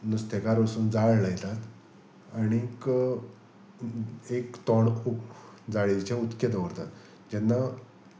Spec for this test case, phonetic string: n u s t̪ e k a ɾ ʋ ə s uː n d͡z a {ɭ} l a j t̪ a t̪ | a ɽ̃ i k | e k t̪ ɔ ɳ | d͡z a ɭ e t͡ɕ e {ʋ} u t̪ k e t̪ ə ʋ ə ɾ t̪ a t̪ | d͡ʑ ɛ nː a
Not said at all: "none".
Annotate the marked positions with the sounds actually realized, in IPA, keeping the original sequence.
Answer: ɭ, none

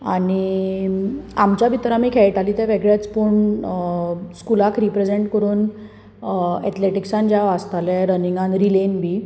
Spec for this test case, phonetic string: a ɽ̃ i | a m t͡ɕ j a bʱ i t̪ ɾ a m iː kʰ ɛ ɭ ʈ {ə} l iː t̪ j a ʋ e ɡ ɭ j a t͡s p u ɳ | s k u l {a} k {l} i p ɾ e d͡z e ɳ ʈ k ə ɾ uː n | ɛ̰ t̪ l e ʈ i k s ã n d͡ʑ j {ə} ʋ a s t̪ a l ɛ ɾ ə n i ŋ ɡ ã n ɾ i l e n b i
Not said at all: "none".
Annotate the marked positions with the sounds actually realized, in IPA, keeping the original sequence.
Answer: a, a, ɾ, a

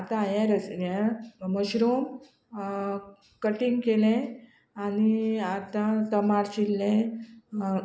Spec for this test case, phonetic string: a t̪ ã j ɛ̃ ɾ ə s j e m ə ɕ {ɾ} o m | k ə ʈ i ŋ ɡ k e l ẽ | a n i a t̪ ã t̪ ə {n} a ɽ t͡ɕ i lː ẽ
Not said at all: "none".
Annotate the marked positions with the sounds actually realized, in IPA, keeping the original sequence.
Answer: ɾ, m

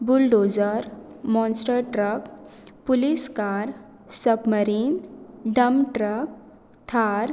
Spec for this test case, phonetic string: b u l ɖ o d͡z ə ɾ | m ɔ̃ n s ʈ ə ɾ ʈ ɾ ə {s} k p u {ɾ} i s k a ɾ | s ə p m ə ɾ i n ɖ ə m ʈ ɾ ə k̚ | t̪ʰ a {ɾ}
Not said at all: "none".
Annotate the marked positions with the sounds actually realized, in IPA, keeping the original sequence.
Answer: none, l, ɾ

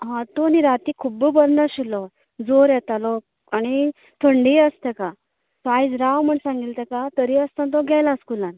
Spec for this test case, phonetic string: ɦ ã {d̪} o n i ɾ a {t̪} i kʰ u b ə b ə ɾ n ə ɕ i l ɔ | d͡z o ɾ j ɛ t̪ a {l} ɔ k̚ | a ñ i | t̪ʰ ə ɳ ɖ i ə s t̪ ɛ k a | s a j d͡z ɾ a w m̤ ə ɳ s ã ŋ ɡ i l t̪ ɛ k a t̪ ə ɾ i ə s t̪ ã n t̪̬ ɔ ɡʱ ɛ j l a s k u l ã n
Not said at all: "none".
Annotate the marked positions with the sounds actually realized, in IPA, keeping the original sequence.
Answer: t̪, t̪, l

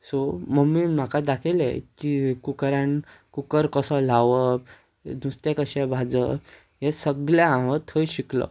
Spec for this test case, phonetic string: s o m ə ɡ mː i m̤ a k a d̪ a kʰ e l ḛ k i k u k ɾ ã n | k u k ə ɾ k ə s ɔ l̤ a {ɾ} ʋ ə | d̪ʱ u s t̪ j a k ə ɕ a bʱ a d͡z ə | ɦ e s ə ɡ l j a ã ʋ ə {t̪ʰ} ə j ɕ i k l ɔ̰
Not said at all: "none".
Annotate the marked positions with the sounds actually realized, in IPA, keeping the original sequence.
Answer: none, t̪ʰ

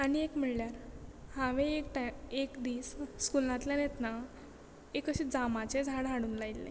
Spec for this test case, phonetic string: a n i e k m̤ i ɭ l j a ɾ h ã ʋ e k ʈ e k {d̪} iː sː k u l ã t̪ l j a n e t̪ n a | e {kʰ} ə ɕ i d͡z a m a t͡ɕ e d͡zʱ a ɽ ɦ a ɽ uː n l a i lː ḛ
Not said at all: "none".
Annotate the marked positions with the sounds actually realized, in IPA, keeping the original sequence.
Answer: d̪, k

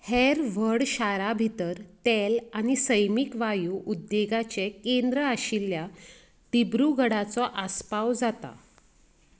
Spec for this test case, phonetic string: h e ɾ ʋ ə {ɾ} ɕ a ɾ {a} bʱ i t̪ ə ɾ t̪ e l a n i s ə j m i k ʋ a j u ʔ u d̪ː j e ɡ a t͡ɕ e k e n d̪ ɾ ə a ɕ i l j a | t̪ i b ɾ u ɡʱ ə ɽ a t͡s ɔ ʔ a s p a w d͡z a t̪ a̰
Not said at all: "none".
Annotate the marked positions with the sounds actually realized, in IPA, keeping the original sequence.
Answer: ɽ, a

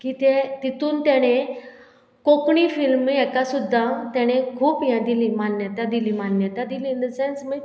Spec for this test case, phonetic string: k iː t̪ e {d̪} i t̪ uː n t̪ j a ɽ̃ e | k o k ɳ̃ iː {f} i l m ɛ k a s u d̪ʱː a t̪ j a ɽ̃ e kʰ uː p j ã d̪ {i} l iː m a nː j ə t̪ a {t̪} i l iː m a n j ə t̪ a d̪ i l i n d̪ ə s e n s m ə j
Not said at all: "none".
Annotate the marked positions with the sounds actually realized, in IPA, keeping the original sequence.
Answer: t̪, f, i, d̪

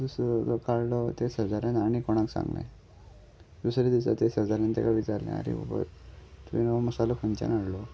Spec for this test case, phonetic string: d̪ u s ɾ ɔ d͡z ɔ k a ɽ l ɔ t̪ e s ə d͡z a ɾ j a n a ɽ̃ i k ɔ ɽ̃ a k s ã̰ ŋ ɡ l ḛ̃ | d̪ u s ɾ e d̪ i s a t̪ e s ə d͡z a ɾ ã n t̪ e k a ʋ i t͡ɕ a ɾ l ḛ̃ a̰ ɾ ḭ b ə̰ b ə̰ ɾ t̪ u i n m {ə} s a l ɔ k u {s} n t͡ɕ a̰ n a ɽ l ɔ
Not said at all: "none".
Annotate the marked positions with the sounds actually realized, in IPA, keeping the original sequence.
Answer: ə, none

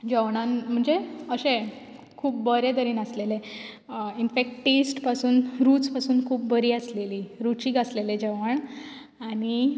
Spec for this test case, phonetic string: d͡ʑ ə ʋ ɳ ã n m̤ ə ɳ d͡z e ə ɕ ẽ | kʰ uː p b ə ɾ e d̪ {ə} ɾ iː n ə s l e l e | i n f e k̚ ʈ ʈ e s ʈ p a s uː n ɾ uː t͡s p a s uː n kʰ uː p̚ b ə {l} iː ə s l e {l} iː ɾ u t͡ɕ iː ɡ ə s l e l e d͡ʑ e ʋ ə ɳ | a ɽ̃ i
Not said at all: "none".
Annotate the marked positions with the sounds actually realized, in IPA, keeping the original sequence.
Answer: ə, ɾ, l

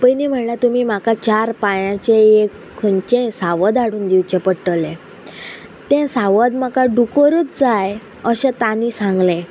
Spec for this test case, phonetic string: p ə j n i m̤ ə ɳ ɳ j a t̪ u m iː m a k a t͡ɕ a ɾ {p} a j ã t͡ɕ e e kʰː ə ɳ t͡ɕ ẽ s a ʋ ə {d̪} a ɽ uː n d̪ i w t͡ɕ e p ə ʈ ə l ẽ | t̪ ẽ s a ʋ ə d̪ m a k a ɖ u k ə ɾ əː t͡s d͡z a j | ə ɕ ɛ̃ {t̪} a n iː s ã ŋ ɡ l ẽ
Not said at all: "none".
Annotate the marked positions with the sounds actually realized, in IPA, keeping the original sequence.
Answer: p, d̪, t̪

